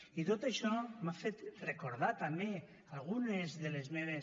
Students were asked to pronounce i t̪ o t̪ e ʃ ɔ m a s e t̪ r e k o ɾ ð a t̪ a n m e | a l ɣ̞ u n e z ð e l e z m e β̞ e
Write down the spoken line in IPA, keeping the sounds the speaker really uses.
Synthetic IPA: i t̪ o t̪ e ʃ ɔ m a f e t̪ r e k o ɾ ð a t̪ a m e | a l ɣ̞ u n e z ð e l e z m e β̞ e